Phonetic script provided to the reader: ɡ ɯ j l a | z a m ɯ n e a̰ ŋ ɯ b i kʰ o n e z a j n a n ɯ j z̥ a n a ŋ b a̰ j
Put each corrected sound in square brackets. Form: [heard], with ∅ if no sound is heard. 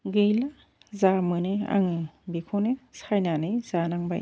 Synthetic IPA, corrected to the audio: ɡ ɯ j l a | z a m ɯ n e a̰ ŋ ɯ b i kʰ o n e [s] a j n a n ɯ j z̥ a n a ŋ b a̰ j